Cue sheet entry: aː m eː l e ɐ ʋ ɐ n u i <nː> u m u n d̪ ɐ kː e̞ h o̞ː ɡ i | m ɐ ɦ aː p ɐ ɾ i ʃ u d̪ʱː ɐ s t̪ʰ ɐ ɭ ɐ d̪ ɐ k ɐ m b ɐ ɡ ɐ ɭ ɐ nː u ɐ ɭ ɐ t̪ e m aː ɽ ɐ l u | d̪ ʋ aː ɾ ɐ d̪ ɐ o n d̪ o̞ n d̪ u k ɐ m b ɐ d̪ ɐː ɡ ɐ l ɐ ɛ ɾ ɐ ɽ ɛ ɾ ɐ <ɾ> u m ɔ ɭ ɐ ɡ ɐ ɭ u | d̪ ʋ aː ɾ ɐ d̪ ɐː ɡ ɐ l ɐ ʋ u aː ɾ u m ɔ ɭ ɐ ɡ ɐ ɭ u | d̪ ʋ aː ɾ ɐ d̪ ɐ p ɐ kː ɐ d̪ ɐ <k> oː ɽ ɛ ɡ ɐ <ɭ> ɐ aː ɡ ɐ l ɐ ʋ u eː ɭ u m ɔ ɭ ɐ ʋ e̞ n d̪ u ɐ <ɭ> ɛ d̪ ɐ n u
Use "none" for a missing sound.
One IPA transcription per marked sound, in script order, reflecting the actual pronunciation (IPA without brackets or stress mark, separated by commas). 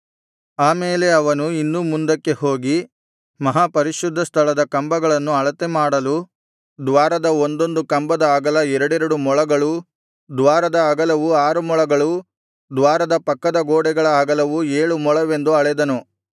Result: nː, ɽ, ɡ, ɭ, ɭ